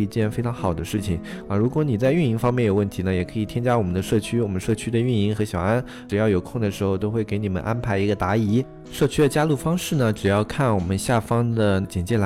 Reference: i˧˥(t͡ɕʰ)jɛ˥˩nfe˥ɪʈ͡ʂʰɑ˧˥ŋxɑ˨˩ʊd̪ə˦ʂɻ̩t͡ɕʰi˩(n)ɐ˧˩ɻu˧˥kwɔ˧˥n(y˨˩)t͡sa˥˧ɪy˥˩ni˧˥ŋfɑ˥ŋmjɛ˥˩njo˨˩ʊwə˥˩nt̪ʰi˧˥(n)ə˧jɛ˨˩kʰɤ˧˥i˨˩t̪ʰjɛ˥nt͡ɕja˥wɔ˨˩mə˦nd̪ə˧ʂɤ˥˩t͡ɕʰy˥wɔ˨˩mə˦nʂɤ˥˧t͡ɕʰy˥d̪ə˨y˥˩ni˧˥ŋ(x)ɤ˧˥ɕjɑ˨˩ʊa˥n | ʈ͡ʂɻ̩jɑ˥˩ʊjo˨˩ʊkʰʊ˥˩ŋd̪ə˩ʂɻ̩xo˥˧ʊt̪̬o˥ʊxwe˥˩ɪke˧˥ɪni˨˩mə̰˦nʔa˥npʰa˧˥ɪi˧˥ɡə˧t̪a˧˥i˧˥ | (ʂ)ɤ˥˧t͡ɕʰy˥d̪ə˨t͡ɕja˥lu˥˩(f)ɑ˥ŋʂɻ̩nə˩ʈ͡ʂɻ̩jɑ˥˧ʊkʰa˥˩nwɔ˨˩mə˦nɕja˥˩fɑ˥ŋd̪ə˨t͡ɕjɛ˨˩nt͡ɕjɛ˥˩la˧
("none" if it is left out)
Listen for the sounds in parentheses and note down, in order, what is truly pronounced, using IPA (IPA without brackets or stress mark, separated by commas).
t͡ɕ, ŋ, i˨˩, n, x, ʂ, f